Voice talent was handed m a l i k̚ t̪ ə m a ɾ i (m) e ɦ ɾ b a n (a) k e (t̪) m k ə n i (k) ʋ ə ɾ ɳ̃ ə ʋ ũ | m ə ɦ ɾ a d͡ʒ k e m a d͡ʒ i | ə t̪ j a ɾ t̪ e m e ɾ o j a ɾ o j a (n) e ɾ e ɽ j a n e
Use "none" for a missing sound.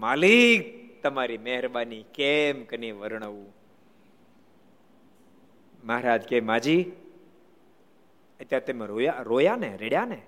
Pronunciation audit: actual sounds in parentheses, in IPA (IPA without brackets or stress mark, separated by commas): m, i, none, none, n